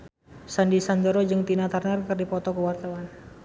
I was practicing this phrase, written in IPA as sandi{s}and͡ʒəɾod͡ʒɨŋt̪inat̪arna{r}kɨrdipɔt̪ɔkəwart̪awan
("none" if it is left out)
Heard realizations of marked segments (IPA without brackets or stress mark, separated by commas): s, r